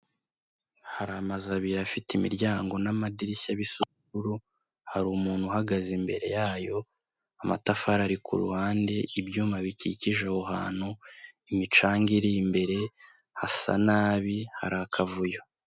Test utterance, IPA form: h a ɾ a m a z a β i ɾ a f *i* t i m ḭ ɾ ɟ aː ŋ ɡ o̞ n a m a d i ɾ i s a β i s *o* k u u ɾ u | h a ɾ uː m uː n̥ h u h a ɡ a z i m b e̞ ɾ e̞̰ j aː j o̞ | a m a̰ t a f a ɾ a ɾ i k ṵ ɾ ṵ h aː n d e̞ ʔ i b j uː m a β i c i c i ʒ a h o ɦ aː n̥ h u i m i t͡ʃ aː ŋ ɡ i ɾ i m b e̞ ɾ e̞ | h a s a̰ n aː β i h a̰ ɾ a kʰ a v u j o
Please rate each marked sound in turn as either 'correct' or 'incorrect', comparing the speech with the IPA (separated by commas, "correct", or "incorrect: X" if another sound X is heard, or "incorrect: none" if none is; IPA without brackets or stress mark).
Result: correct, incorrect: u